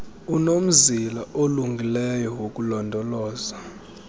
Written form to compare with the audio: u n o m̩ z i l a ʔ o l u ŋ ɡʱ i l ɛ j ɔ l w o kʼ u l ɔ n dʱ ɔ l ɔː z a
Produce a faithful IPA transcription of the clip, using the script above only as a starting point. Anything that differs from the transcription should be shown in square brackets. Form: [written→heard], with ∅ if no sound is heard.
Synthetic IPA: u n o m̩ z i l a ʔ o l u ŋ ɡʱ i l ɛ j ɔ [l→∅] w o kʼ u l ɔ n dʱ ɔ l ɔː z a